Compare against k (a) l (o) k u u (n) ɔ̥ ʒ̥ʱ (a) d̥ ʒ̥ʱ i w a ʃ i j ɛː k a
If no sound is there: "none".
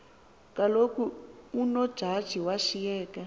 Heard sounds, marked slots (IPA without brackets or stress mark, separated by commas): a, o, n, a